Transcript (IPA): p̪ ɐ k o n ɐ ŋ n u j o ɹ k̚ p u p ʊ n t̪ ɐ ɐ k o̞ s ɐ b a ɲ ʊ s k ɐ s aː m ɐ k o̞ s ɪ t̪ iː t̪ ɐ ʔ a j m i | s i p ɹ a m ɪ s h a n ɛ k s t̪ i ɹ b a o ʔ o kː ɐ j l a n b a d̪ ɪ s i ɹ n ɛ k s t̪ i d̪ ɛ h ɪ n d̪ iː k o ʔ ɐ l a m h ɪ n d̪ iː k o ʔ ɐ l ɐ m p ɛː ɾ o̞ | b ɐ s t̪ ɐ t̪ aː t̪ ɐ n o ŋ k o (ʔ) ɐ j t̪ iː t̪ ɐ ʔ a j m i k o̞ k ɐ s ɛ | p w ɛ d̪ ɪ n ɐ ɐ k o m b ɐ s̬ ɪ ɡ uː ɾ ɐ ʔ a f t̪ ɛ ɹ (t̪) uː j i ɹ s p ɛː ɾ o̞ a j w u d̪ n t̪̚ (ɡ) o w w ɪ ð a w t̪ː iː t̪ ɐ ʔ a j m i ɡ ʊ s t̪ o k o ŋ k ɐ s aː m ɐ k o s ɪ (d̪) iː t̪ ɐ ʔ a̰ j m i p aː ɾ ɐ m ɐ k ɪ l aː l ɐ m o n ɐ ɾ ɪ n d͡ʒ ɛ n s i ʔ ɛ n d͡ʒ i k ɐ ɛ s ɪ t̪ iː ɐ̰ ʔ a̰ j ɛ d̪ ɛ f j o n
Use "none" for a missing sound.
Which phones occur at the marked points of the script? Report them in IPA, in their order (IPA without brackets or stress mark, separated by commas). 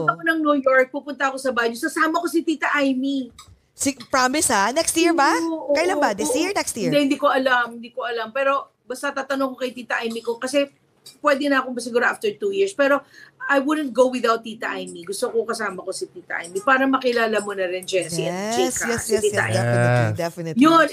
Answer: k, t̪, ɡ, t̪